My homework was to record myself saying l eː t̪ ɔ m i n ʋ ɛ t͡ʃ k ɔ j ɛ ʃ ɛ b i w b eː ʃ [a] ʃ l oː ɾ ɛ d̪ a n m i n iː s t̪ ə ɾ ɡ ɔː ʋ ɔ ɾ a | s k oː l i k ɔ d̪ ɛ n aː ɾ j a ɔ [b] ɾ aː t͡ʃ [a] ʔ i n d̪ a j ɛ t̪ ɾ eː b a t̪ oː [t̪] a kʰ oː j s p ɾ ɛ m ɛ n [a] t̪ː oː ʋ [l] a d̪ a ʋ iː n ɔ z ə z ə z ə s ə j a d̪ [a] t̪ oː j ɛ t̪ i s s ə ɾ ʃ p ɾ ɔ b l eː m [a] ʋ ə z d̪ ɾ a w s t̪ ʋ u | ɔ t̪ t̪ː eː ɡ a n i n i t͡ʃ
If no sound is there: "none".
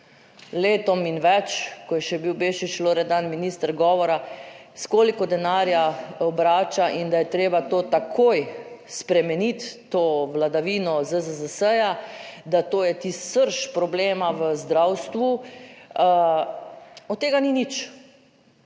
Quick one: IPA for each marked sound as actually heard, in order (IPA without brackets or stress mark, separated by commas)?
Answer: i, b, a, t̪, i, l, a, a